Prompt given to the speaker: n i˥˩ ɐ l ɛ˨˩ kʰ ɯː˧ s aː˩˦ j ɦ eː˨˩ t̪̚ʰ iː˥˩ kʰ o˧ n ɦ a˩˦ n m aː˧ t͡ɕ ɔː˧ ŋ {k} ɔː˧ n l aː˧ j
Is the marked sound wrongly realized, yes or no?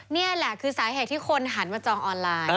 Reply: yes